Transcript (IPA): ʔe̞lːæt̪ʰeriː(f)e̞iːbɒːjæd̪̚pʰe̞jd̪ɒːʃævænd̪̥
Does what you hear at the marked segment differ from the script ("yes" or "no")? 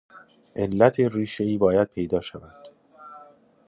yes